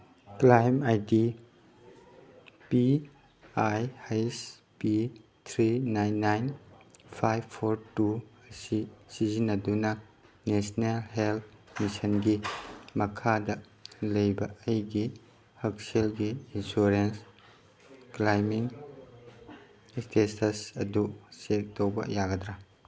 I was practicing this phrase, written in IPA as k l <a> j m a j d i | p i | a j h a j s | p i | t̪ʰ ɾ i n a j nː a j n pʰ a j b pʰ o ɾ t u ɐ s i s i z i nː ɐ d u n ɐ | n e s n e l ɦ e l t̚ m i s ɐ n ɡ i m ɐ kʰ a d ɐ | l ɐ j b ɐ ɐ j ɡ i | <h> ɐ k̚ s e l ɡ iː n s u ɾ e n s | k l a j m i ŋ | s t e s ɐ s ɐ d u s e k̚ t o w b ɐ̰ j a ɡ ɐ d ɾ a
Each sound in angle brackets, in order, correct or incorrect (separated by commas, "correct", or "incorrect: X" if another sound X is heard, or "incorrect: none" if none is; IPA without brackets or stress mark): correct, correct